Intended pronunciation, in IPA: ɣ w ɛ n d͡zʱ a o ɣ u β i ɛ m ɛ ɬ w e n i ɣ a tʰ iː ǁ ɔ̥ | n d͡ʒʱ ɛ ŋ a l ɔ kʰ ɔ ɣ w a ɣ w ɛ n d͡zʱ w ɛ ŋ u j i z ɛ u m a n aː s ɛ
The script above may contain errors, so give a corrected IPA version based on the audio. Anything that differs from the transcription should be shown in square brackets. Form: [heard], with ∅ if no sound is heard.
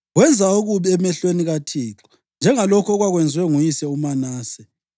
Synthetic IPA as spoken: ɣ w ɛ n d͡zʱ a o ɣ u β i ɛ m ɛ ɬ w e n i ɣ a tʰ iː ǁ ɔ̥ | n d͡ʒʱ ɛ ŋ a l ɔ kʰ ɔ ɣ w a ɣ w ɛ n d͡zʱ w ɛ ŋ u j i [s] ɛ u m a n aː s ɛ